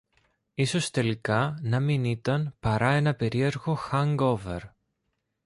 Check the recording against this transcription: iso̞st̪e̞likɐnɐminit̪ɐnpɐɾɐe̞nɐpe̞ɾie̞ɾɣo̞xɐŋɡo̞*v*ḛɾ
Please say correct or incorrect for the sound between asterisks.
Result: correct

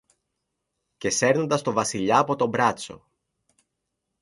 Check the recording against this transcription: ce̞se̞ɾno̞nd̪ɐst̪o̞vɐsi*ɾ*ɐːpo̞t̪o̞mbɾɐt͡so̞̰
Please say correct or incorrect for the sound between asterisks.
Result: incorrect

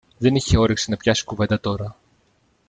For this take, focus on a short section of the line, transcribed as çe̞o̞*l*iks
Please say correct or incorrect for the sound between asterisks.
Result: incorrect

